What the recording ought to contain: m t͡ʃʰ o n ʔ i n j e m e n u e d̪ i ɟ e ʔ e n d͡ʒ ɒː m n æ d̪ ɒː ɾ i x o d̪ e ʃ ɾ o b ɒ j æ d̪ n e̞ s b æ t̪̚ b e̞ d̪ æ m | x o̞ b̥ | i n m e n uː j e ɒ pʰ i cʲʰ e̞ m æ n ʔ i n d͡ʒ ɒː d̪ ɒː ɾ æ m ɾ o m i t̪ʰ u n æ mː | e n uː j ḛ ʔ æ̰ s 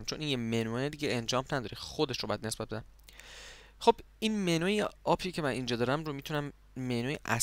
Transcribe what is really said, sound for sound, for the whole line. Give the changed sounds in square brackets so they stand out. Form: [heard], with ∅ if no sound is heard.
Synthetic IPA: m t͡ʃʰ o n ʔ i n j e m e n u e d̪ i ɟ e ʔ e n d͡ʒ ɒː m n æ d̪ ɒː ɾ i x o d̪ e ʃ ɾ o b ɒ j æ d̪ n e̞ s b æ t̪̚ b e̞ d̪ æ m | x o̞ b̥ | i n m e n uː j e ɒ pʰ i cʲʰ e̞ m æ n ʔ i n d͡ʒ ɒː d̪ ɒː ɾ æ m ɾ o m i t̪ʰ u n æ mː | e n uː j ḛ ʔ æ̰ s